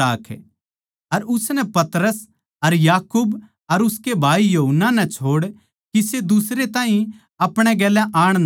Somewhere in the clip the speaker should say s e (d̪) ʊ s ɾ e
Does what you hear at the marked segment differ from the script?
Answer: no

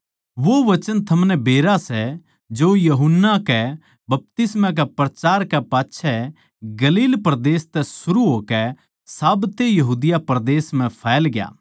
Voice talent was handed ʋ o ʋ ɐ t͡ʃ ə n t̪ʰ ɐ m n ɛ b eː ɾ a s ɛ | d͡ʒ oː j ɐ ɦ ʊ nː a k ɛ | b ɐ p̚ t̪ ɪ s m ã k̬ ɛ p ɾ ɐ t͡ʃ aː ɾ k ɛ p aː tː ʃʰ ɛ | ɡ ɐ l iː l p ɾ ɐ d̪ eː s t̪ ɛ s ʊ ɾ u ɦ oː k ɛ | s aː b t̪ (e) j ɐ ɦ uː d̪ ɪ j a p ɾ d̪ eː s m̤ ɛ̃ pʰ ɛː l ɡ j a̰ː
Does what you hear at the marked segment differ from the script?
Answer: no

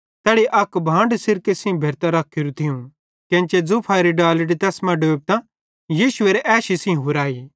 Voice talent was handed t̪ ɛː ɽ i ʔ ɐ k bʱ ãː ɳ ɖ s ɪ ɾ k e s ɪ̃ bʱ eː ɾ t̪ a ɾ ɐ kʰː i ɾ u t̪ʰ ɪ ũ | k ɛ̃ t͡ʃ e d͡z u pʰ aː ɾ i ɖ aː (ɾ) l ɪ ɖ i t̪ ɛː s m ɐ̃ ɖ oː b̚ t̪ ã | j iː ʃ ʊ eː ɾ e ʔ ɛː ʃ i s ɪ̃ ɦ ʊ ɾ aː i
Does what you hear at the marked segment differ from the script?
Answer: yes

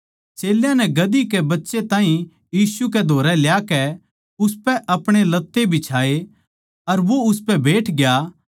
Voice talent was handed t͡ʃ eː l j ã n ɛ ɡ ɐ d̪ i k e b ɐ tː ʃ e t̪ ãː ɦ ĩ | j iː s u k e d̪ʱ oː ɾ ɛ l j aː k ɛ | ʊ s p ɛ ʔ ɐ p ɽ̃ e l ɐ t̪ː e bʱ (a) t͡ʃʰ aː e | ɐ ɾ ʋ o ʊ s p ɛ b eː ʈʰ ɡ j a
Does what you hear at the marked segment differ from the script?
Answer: yes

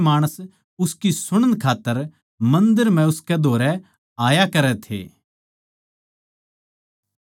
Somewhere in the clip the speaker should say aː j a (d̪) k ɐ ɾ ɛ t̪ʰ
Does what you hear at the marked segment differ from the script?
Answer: yes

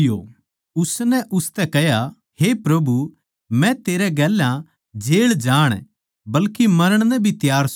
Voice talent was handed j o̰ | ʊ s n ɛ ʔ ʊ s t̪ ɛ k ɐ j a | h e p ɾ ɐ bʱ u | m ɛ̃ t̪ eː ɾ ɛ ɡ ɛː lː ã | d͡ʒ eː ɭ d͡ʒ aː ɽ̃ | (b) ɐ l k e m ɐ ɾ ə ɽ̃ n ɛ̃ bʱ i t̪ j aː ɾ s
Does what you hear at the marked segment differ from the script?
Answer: no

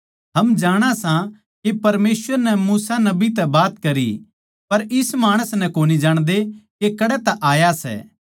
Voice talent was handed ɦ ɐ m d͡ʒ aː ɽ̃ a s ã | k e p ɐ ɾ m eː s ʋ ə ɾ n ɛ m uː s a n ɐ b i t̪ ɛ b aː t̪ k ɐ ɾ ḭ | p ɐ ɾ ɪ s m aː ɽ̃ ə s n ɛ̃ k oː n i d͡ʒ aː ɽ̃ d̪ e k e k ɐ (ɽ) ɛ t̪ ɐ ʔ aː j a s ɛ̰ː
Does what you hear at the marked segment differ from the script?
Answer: no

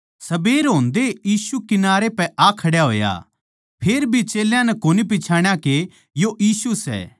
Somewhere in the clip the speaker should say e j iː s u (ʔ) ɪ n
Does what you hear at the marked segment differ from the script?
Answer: yes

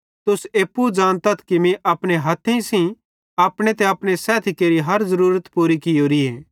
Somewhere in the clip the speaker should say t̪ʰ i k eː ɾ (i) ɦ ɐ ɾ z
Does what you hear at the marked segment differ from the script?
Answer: no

